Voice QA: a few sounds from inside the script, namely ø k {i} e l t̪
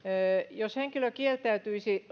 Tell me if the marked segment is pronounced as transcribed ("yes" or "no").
yes